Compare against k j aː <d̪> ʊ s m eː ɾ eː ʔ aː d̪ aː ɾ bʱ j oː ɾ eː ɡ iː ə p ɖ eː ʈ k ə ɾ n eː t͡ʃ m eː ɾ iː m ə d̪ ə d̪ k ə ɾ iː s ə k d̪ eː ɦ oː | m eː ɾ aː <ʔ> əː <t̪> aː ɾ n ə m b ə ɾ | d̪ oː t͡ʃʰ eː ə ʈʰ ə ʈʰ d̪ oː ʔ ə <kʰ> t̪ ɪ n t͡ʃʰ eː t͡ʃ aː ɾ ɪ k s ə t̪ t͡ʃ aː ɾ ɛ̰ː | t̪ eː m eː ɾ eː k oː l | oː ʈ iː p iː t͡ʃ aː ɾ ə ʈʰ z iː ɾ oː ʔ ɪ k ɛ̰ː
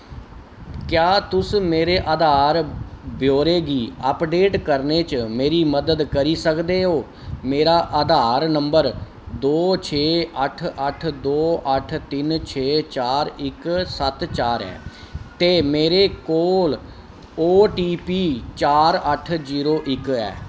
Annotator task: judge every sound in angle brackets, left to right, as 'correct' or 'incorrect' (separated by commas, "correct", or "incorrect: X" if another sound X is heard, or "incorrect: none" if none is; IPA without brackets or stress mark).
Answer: incorrect: t̪, correct, incorrect: d̪, incorrect: ʈʰ